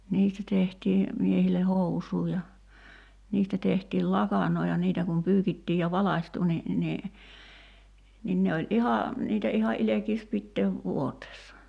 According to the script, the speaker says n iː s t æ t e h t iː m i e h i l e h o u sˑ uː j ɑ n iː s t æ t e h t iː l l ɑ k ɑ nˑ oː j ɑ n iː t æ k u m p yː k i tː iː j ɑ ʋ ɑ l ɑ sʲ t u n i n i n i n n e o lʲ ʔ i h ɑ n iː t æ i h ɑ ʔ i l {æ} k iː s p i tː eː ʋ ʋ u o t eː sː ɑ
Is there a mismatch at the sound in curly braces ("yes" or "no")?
yes